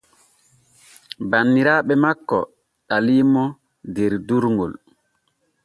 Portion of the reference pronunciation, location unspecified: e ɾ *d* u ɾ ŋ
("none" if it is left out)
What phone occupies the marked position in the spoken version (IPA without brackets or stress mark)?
d